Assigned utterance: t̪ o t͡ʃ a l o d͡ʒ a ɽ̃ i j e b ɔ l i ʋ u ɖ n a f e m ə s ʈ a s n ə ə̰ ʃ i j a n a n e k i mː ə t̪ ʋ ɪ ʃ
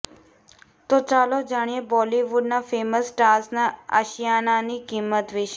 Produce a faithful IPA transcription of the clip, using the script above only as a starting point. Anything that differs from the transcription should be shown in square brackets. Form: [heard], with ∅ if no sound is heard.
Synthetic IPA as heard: t̪ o t͡ʃ a l o d͡ʒ a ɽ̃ i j e b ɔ l i ʋ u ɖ n a f e m ə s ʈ a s n [a] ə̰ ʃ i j a n a n [i] k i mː ə t̪ ʋ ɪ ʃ

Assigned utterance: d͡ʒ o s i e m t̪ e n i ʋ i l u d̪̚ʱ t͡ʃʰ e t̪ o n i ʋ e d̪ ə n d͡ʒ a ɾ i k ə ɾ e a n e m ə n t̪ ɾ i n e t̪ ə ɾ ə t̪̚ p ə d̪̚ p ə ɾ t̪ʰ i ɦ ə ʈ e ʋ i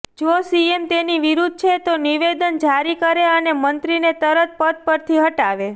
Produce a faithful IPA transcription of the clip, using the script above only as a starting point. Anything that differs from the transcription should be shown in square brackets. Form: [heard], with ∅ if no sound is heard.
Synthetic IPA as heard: d͡ʒ o s i e m t̪ e n i ʋ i [ɾ] u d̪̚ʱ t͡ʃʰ e t̪ o n i ʋ e d̪ ə n d͡ʒ a ɾ i k ə ɾ e [ə] n e m ə n t̪ ɾ i n e t̪ ə ɾ ə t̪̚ p ə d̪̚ p ə ɾ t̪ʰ i ɦ ə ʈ [a] ʋ [e]

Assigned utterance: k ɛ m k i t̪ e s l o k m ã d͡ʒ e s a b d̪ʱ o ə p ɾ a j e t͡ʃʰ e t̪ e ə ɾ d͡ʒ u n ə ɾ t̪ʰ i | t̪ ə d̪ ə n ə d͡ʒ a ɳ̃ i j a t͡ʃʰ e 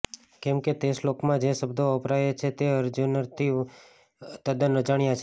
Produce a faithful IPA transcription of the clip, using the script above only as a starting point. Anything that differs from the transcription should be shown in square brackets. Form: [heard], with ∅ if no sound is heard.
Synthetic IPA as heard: k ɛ m k [e] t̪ e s l o k m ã d͡ʒ e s [ə] b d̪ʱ o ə p ɾ a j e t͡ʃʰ e t̪ e ə ɾ d͡ʒ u n ə ɾ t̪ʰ i | t̪ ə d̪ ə n ə d͡ʒ a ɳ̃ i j a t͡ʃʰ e

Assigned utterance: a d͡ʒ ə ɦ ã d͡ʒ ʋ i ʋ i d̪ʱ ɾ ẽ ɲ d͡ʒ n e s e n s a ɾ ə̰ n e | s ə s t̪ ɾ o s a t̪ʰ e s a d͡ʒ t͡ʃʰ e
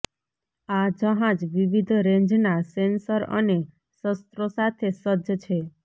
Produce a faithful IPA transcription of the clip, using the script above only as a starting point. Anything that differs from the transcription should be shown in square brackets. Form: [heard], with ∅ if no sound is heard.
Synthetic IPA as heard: a d͡ʒ ə ɦ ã d͡ʒ ʋ i ʋ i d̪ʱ ɾ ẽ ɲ d͡ʒ n [a] s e n s [ə] ɾ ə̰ n e | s ə s t̪ ɾ o s a t̪ʰ e s [ə] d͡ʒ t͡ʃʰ e

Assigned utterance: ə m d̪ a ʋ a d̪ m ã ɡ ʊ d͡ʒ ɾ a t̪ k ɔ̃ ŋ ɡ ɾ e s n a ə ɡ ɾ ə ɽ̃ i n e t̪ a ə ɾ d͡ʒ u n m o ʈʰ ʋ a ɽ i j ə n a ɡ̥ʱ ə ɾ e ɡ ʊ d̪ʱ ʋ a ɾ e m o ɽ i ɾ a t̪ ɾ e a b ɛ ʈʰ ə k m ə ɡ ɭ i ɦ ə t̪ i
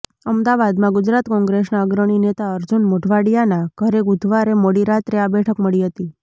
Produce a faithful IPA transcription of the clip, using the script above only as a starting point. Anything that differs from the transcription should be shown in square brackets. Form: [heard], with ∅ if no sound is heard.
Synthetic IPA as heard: ə m d̪ a ʋ a d̪ m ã ɡ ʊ d͡ʒ ɾ a t̪ k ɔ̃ ŋ ɡ ɾ e s n a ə ɡ ɾ ə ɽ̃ i n e t̪ a ə ɾ d͡ʒ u n m o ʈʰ ʋ a ɽ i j [a] n a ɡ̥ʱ ə ɾ e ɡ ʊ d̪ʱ ʋ a ɾ e m o ɽ i ɾ a t̪ ɾ e a b ɛ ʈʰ ə k m ə [∅] ɭ i ɦ ə t̪ i

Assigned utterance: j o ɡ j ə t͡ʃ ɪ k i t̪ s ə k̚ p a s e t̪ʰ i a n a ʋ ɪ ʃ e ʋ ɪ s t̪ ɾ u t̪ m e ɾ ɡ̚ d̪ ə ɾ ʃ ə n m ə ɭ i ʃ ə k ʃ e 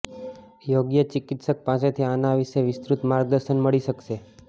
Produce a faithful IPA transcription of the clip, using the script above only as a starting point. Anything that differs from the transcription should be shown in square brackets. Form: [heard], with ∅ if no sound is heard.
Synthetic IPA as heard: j o ɡ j ə t͡ʃ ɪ k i t̪ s ə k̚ p a s e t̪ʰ i a n a ʋ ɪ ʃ e ʋ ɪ s t̪ ɾ u t̪ m [a] ɾ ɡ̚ d̪ ə ɾ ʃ ə n m ə ɭ i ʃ ə k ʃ e

